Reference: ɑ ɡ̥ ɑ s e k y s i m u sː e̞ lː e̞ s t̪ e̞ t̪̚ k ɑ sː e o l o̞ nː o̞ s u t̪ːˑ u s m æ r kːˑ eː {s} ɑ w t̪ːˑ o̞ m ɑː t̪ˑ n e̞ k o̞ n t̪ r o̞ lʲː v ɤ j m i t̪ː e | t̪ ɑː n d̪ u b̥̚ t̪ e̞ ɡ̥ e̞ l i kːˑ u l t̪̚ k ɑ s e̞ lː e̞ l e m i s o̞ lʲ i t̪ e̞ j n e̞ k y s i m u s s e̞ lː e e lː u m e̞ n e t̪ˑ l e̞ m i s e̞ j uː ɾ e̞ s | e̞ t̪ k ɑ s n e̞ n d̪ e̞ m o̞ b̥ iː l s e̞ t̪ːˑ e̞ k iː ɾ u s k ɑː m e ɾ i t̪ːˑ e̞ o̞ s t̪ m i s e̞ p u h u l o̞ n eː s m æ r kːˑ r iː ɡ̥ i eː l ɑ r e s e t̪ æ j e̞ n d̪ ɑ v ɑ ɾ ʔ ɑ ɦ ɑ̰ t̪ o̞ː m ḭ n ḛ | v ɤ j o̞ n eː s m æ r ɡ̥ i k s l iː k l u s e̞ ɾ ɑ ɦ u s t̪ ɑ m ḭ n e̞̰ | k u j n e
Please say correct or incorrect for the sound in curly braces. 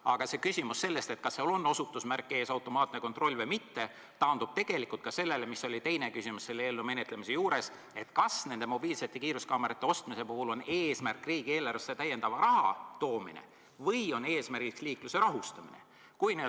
correct